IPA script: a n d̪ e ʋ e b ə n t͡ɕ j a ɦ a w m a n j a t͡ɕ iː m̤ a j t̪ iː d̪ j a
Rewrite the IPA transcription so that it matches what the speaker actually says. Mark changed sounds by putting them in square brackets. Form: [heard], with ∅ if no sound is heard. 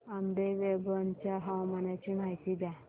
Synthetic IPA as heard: a [m] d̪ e ʋ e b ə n t͡ɕ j a ɦ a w m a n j a t͡ɕ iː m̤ a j t̪ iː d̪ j a